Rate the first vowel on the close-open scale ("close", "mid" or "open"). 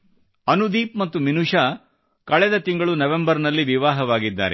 open